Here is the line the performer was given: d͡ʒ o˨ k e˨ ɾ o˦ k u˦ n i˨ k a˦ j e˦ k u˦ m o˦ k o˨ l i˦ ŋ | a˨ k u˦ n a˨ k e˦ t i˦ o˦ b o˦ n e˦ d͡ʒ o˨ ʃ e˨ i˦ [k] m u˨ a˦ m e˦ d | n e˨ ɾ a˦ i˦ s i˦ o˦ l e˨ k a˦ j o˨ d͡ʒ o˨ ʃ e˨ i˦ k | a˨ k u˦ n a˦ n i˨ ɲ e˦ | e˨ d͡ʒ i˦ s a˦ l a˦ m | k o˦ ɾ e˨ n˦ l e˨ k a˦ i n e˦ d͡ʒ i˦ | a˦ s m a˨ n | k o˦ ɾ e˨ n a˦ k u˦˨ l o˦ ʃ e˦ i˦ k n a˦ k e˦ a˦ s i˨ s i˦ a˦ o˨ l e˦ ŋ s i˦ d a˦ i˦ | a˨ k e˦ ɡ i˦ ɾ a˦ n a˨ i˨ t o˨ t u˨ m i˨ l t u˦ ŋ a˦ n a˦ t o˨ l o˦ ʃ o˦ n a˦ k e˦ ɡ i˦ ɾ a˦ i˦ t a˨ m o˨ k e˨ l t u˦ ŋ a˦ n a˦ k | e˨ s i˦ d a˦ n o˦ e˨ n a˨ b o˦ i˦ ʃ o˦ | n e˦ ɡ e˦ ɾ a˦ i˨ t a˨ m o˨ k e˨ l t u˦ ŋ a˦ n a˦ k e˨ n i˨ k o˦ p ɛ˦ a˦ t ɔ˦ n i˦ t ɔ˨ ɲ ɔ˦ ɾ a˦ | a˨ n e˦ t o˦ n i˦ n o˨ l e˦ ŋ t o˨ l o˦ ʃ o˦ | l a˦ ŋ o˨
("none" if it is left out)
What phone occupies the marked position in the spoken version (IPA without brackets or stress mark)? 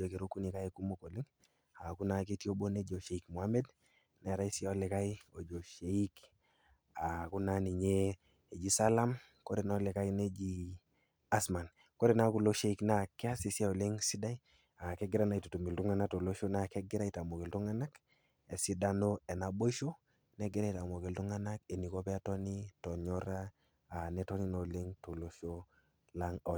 k